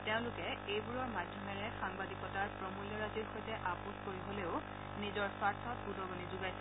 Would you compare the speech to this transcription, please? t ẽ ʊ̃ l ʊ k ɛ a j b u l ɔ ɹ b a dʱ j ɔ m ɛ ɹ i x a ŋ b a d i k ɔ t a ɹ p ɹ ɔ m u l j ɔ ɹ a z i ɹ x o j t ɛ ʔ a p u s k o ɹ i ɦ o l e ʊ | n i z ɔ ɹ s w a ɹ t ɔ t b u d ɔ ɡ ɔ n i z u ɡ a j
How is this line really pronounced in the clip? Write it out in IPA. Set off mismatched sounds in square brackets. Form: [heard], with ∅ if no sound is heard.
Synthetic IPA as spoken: t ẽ ʊ̃ l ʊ k ɛ [e] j b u [ɹ] ɔ ɹ [m] a dʱ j ɔ m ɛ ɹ [ɛ] x a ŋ b a d i k ɔ t a ɹ p ɹ ɔ m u l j ɔ ɹ a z i ɹ x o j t ɛ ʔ a p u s k o ɹ i ɦ o l e ʊ | n i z ɔ ɹ s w a ɹ [tʰ] ɔ t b u d ɔ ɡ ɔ n i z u ɡ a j